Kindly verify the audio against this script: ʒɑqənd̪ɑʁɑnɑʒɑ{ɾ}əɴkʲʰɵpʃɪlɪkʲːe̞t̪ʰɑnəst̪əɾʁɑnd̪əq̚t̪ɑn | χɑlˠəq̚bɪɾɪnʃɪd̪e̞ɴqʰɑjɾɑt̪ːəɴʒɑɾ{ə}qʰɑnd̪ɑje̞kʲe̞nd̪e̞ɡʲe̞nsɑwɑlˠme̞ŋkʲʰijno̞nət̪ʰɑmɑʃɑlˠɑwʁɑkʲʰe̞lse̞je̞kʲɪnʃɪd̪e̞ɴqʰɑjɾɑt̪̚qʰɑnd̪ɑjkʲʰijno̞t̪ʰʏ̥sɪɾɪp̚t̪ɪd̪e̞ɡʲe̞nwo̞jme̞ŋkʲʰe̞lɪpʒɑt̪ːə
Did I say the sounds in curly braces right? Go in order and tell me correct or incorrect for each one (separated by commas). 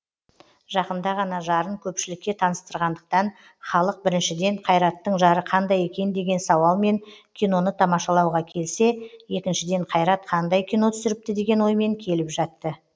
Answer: correct, correct